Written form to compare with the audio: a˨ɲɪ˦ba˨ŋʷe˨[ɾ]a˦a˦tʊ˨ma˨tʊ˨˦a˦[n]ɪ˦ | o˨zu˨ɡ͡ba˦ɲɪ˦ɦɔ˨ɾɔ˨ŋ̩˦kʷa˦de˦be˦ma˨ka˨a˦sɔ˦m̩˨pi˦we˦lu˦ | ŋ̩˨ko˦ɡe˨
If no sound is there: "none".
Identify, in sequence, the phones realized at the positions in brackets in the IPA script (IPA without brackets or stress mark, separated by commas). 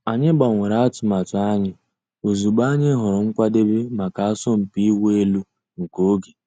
ɾ, ɲ